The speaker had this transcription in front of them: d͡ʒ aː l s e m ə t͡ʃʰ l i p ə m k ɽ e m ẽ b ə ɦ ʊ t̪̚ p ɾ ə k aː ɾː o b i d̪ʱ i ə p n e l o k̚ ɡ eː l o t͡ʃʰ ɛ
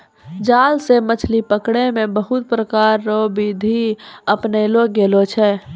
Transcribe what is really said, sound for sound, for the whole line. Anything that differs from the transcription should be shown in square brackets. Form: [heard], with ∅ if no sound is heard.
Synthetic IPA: d͡ʒ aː l s e m ə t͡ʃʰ l i p ə [∅] k ɽ e m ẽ b ə ɦ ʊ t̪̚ p ɾ ə k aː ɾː o b i d̪ʱ i ə p n e l o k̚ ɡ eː l o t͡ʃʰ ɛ